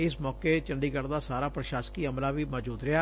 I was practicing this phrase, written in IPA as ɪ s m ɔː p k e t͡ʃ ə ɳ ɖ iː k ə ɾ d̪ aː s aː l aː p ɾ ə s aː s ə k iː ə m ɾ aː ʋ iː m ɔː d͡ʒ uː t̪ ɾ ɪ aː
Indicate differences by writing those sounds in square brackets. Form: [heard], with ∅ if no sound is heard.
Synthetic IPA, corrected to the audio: ɪ s m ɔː [∅] k e t͡ʃ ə ɳ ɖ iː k ə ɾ d̪ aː s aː [ɾ] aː p ɾ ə [ʃ] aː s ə k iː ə m [l] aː ʋ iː m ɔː d͡ʒ uː [d̪] ɾ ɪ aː